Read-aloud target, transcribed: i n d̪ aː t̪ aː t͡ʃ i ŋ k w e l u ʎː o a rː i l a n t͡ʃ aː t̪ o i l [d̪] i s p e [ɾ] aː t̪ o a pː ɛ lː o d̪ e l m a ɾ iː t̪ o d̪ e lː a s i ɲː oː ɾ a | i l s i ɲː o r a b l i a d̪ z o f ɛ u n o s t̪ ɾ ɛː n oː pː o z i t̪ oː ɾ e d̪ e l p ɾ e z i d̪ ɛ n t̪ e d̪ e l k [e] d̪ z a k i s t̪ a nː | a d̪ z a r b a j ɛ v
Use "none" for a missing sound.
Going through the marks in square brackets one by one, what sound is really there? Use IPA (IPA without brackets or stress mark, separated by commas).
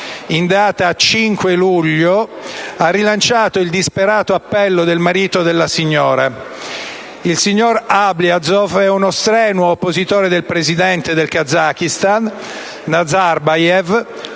d̪, ɾ, a